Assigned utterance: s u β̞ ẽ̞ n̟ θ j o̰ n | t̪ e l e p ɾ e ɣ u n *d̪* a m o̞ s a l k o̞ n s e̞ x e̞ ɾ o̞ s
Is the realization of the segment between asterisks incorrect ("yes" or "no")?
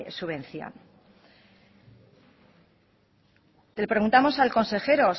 yes